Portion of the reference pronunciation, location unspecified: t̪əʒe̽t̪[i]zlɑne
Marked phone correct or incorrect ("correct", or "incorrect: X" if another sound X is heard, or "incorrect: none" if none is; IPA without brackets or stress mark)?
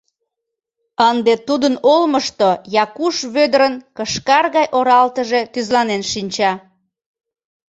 incorrect: y